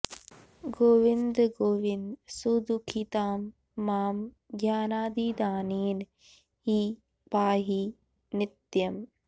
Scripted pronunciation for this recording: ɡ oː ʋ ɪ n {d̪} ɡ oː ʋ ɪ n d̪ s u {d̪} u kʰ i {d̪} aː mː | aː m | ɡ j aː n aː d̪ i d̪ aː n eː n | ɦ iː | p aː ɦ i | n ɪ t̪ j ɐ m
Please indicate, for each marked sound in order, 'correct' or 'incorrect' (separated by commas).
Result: correct, correct, incorrect